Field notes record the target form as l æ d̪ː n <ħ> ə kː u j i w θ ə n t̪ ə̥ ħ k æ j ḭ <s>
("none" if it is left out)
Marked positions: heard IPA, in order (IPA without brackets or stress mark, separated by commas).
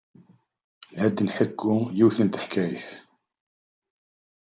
ħ, θ